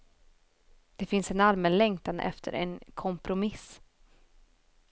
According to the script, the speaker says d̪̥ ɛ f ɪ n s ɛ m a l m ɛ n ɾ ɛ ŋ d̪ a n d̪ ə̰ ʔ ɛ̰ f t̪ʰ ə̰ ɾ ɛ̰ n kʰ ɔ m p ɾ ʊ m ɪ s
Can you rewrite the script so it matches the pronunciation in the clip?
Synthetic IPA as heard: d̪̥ ɛ f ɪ n s ɛ n a l m ɛ n l ɛ ŋ t̪ a n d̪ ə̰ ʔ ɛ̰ f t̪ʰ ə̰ ɾ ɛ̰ n kʰ ɔ m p ɾ ʊ m ɪ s